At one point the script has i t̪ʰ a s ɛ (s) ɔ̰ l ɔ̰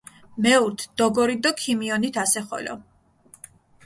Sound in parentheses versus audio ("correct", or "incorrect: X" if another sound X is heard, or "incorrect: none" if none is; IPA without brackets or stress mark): incorrect: χ